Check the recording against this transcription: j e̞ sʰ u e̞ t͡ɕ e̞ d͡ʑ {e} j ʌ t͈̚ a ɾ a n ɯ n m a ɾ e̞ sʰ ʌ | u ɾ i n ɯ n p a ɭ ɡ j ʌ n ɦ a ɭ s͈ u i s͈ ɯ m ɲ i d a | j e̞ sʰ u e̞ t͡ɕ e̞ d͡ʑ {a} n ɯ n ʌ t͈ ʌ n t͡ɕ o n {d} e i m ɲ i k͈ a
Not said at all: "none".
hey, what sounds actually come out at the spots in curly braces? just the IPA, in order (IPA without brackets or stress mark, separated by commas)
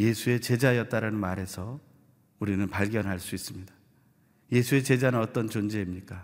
a, a, d͡ʑ